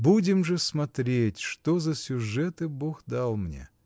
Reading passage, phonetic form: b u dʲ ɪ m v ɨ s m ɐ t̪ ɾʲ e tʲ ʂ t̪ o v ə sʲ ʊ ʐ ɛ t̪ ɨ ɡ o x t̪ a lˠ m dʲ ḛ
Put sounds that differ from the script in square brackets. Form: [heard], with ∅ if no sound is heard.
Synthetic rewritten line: b u dʲ ɪ m [ʐ] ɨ s m ɐ t̪ ɾʲ e tʲ ʂ t̪ o [z] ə sʲ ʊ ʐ ɛ t̪ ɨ [b] o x [d̪] a lˠ m [nʲ] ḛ